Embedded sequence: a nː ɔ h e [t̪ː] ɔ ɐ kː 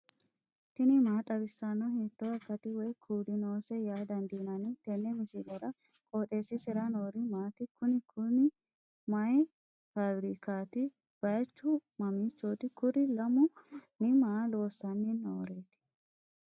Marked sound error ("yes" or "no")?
no